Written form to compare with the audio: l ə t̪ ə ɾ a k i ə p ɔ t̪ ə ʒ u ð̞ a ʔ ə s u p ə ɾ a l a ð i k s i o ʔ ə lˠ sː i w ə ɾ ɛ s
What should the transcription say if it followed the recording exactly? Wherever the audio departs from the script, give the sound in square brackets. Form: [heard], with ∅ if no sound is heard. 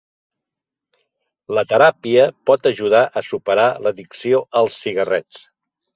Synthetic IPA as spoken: l ə t̪ ə ɾ a [p] i ə p ɔ t̪ ə ʒ u ð̞ a ʔ ə s u p ə ɾ a l [ə] ð i k s i o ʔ ə lˠ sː i [ɣ] ə [r] ɛ [t͡s]